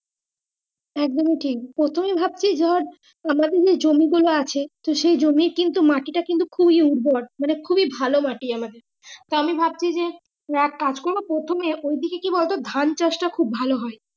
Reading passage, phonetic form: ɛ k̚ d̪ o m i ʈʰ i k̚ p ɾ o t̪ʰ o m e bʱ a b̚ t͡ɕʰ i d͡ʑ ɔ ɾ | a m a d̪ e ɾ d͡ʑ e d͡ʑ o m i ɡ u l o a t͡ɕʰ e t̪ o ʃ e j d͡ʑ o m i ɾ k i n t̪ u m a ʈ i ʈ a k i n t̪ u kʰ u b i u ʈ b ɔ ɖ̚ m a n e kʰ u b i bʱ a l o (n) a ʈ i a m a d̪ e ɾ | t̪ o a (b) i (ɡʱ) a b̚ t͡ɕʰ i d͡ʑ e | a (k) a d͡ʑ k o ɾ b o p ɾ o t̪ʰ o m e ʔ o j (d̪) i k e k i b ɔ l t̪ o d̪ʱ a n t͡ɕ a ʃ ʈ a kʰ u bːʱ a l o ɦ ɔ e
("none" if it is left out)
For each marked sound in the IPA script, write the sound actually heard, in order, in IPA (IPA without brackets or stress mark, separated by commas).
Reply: m, m, bʱ, k, d̪